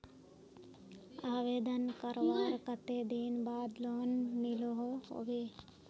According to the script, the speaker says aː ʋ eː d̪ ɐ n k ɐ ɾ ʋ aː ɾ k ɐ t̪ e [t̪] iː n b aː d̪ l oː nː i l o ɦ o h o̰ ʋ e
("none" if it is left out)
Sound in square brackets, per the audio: d̪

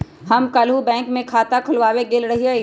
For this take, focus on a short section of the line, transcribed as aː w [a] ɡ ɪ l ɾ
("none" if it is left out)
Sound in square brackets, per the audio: e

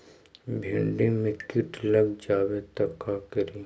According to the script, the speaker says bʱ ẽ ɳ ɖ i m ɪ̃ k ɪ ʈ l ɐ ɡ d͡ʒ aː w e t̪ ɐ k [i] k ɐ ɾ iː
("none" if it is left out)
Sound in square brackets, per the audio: a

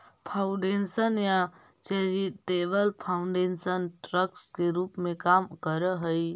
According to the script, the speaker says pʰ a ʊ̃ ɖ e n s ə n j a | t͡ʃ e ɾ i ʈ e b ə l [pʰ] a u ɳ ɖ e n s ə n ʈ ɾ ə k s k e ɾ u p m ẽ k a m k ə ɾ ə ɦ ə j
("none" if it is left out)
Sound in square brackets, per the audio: pʰ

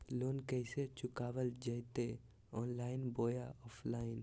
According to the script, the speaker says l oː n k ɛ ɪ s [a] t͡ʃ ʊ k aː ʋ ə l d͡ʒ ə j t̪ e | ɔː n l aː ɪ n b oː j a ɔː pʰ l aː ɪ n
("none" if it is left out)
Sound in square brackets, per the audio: e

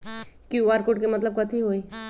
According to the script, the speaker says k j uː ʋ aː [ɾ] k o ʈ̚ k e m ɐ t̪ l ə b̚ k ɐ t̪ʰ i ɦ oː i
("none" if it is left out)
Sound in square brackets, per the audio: ɾ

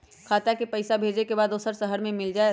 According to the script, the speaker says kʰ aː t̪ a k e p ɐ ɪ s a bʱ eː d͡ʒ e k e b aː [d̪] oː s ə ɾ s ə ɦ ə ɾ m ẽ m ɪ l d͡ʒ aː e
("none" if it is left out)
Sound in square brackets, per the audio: d̪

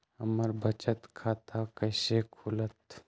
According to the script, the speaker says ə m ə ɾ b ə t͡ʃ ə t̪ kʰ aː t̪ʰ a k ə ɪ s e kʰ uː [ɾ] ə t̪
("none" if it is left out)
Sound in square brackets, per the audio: l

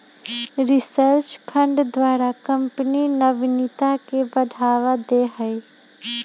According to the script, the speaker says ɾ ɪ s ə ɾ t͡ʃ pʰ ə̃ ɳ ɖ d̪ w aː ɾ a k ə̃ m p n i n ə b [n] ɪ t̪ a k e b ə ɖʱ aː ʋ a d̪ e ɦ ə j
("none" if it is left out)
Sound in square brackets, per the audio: n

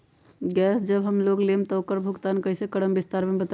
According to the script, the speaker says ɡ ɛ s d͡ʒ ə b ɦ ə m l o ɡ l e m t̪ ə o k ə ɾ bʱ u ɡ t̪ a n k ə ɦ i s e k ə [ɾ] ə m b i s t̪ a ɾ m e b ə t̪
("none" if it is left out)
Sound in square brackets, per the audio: ɽ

